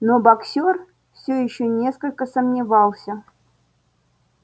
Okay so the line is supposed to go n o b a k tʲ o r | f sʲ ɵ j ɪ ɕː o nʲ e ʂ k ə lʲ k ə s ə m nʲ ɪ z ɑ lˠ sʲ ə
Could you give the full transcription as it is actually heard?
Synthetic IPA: n o b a k sʲ o r | f sʲ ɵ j ɪ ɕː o nʲ e s k ə lʲ k ə s ə m nʲ ɪ v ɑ lˠ sʲ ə